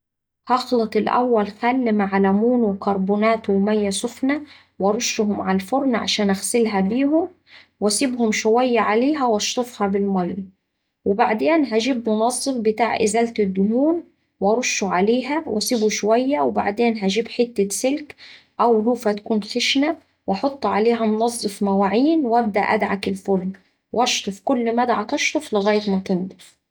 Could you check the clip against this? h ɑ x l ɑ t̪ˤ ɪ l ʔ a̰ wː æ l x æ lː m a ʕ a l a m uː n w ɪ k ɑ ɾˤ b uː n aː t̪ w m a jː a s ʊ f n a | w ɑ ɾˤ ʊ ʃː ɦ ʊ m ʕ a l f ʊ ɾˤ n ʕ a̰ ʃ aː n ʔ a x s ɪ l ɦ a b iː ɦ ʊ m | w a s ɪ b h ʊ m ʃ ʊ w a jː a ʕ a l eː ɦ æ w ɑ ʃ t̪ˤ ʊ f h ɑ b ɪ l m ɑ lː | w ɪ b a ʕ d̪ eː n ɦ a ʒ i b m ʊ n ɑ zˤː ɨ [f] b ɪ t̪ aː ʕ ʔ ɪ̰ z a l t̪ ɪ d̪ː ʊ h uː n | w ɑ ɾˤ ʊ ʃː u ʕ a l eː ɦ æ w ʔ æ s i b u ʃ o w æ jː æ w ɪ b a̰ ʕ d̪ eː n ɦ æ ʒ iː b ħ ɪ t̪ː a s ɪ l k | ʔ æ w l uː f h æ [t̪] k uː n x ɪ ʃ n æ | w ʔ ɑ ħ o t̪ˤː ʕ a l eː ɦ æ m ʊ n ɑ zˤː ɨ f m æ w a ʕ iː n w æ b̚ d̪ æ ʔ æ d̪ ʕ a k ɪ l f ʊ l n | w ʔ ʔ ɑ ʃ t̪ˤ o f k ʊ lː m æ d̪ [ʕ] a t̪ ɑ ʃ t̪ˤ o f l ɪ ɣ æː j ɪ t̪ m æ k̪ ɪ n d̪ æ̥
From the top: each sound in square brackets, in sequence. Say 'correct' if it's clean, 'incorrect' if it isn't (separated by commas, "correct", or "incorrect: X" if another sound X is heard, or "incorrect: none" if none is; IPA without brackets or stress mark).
correct, correct, correct